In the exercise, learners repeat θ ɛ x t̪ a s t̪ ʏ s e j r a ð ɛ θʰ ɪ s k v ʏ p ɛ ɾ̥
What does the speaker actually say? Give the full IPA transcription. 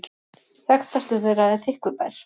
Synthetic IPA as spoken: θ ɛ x t̪ a s t̪ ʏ θ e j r a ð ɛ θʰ ɪ h k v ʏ p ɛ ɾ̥